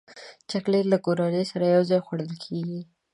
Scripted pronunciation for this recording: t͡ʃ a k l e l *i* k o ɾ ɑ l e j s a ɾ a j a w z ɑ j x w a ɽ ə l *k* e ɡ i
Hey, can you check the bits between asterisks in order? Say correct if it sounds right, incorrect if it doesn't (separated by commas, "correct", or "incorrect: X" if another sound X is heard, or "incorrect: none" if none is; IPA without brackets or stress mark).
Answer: incorrect: a, incorrect: kʰ